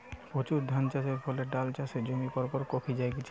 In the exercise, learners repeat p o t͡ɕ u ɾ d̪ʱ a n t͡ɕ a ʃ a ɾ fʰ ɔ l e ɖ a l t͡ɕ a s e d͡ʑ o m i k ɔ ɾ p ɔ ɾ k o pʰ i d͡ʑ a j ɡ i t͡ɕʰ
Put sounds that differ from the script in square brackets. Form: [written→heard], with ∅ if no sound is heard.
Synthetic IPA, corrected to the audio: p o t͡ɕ u ɾ d̪ʱ a n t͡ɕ a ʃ [a→e] ɾ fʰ ɔ l e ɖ a l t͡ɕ a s e d͡ʑ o m i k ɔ ɾ p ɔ ɾ k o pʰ i d͡ʑ a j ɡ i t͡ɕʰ